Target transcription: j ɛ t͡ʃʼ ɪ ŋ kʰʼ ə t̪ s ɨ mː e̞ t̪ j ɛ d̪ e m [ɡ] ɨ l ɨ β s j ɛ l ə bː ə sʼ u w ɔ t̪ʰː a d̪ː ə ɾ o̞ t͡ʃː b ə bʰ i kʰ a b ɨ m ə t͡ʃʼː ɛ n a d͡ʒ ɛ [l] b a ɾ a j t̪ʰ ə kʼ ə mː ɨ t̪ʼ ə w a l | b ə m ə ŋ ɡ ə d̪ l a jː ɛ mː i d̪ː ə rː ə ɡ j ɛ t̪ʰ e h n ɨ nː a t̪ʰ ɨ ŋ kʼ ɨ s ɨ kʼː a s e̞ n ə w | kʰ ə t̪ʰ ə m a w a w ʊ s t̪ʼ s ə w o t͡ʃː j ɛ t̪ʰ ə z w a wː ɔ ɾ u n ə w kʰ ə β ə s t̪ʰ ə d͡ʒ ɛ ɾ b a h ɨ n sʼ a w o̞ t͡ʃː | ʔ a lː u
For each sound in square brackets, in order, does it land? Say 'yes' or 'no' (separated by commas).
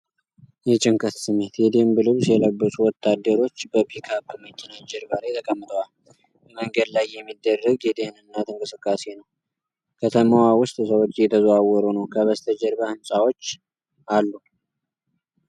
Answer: no, no